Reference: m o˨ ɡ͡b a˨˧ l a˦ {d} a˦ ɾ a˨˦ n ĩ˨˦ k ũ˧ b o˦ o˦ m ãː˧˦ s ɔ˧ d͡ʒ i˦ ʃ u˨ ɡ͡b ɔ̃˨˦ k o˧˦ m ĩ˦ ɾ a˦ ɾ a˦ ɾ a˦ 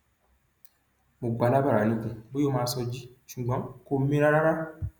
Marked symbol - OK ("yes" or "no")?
no